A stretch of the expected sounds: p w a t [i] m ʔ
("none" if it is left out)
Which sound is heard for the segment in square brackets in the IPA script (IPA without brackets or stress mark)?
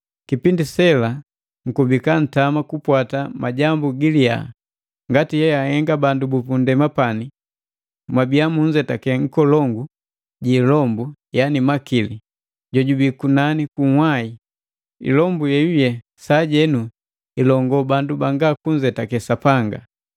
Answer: a